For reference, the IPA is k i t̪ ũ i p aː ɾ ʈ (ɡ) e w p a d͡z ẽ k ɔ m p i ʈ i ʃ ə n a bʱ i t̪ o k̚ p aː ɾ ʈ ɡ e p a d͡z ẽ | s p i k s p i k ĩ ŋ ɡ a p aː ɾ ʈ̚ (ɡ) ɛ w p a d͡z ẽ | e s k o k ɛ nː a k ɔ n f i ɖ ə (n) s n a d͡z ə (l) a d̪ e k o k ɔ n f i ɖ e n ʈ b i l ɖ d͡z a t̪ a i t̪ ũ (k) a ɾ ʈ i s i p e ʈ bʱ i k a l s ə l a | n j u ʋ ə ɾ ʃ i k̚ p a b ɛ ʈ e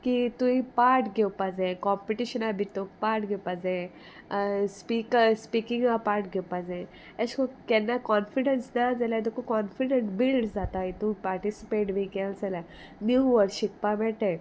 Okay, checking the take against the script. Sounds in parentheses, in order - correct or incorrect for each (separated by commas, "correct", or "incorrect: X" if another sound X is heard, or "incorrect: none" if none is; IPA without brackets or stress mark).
correct, correct, correct, correct, incorrect: p